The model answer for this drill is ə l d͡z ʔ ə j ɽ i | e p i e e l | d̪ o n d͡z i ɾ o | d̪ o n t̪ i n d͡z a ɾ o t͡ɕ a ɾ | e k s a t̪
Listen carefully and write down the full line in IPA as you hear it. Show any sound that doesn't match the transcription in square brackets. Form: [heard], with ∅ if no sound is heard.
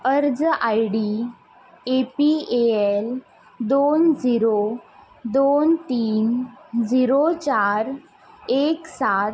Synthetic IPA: ə [ɾ] d͡z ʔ [a] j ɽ i | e p i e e l | d̪ o n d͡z i ɾ o | d̪ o n t̪ [iː] n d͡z [i] ɾ o t͡ɕ a ɾ | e k s a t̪